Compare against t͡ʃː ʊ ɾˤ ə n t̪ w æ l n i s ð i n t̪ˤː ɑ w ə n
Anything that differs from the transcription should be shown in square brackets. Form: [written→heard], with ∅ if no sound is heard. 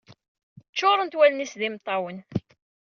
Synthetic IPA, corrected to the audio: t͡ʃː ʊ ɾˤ ə n t̪ w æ l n i s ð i [n→m] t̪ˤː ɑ w ə n